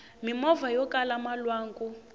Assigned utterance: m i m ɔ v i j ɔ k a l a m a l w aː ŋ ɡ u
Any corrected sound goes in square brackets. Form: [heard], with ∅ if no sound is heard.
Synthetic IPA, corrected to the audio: m i m ɔ v [a] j ɔ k a l a m a l w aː ŋ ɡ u